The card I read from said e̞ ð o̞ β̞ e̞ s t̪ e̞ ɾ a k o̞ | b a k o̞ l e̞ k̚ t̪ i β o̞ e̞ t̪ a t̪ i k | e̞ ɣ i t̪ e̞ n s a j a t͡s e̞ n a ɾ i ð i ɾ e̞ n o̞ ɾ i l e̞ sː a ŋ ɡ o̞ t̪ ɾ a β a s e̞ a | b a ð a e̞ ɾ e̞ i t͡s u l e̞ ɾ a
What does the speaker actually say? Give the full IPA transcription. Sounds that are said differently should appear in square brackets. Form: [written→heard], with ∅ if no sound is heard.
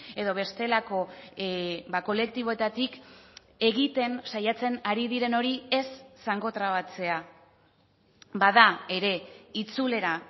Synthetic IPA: e̞ ð o̞ β̞ e̞ s t̪ e̞ [ɾ→l] a k o̞ | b a k o̞ l e̞ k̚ t̪ i β o̞ e̞ t̪ a t̪ i k | e̞ ɣ i t̪ e̞ n s a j a t͡s e̞ n a ɾ i ð i ɾ e̞ n o̞ ɾ i [l→∅] e̞ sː a ŋ ɡ o̞ t̪ ɾ a β a [s→t͡s] e̞ a | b a ð a e̞ ɾ e̞ i t͡s u l e̞ ɾ a

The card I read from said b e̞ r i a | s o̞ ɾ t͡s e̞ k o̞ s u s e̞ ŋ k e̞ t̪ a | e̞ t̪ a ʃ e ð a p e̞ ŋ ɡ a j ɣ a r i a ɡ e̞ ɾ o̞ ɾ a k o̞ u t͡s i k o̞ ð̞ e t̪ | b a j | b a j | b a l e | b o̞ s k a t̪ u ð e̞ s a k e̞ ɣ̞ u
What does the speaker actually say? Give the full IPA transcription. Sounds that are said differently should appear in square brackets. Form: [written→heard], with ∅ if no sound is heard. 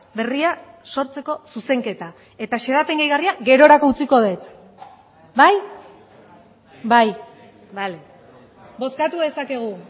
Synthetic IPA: b e̞ r i a | s o̞ ɾ t͡s e̞ k o̞ s u s e̞ ŋ k e̞ t̪ a | e̞ t̪ a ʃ e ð a p e̞ ŋ ɡ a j ɣ a r i a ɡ e̞ ɾ o̞ ɾ a k o̞ u t͡s i k o̞ ð̞ e t̪ | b a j | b a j | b a l e | b o̞ s k a t̪ u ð e̞ s a k e̞ ɣ̞ u

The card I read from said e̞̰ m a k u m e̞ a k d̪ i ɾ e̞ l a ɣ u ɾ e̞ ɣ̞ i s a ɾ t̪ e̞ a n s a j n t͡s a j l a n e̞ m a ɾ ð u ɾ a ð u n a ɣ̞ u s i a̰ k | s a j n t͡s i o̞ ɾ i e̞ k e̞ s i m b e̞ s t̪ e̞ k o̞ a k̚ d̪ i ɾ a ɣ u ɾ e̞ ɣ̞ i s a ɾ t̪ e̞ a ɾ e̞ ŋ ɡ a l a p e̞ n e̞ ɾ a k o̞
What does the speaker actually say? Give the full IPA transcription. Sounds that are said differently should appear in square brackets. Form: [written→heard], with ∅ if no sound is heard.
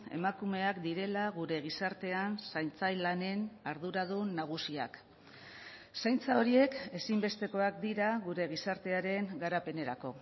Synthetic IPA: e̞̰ m a k u m e̞ a k d̪ i ɾ e̞ l a ɣ u ɾ e̞ ɣ̞ i s a ɾ t̪ e̞ a n s a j n t͡s a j l a n e̞ [m→n] a ɾ ð u ɾ a ð u n a ɣ̞ u s i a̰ k | s a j n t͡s [i→a] o̞ ɾ i e̞ k e̞ s i m b e̞ s t̪ e̞ k o̞ a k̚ d̪ i ɾ a ɣ u ɾ e̞ ɣ̞ i s a ɾ t̪ e̞ a ɾ e̞ ŋ ɡ a [l→ɾ] a p e̞ n e̞ ɾ a k o̞

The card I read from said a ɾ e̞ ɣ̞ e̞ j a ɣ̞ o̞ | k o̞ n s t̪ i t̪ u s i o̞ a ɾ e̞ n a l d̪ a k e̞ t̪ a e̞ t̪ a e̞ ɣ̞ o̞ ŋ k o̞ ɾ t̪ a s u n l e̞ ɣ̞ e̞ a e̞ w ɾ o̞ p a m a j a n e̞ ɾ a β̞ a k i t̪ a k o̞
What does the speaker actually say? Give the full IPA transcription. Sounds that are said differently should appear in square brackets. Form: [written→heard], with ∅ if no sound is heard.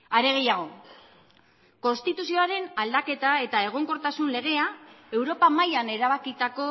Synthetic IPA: a ɾ e̞ ɣ̞ e̞ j a ɣ̞ o̞ | k o̞ n s t̪ i t̪ u s i o̞ a ɾ e̞ n a l d̪ a k e̞ t̪ a e̞ t̪ a e̞ ɣ̞ o̞ ŋ k o̞ ɾ t̪ a s u n l e̞ ɣ̞ e̞ a e̞ w ɾ o̞ p a m a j a n e̞ ɾ a β̞ a k i t̪ a k o̞

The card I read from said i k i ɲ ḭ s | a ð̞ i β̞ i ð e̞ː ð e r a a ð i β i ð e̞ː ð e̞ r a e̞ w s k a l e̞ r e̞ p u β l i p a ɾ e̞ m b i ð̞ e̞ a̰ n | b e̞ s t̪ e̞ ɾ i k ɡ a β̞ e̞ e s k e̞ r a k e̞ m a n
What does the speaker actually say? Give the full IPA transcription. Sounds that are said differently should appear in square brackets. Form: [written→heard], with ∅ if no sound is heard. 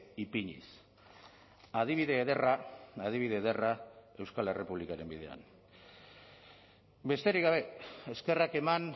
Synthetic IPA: i [k→p] i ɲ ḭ s | a ð̞ i β̞ i ð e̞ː ð e r a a ð i β i ð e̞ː ð e̞ r a e̞ w s k a l e̞ r e̞ p u β l i [p→k] a ɾ e̞ m b i ð̞ e̞ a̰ n | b e̞ s t̪ e̞ ɾ i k ɡ a β̞ e̞ e s k e̞ r a k e̞ m a n

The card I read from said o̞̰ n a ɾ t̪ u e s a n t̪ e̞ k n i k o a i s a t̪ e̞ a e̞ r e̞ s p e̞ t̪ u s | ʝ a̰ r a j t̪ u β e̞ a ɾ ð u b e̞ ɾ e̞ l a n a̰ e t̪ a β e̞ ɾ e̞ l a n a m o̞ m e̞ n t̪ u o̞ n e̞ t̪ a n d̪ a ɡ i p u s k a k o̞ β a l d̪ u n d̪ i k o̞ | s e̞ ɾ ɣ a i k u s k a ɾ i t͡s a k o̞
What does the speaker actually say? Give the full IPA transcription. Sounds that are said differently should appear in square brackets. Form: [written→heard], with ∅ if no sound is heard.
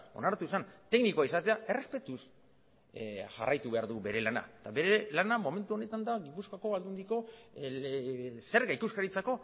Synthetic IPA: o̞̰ n a ɾ t̪ u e s a n t̪ e̞ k n i k o a i s a t̪ e̞ a e̞ r e̞ s p e̞ t̪ u s | ʝ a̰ r a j t̪ u β e̞ a ɾ ð u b e̞ ɾ e̞ l a n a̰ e t̪ a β e̞ ɾ e̞ l a n a m o̞ m e̞ n t̪ u o̞ n e̞ t̪ a n d̪ a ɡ i p u s k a k o̞ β a l d̪ u n d̪ i k o̞ | s e̞ ɾ ɣ a i k u s k a ɾ i t͡s a k o̞

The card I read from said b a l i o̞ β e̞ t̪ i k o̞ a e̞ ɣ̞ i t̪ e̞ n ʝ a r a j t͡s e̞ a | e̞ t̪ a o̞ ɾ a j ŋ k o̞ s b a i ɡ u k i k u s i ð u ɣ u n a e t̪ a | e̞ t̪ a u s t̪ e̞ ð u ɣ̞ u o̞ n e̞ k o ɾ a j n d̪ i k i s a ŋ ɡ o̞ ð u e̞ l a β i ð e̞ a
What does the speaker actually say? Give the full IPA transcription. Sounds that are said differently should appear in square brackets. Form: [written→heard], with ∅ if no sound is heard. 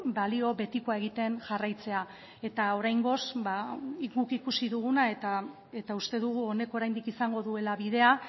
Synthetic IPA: b a l i o̞ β e̞ t̪ i k o̞ a e̞ ɣ̞ i t̪ e̞ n ʝ a r a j t͡s e̞ a | e̞ t̪ a o̞ ɾ a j ŋ [k→ɡ] o̞ s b a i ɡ u k i k u s i ð u ɣ u n a e t̪ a | e̞ t̪ a u s t̪ e̞ ð u ɣ̞ u o̞ n e̞ k o ɾ a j n d̪ i k i s a ŋ ɡ o̞ ð u e̞ l a β i ð e̞ a

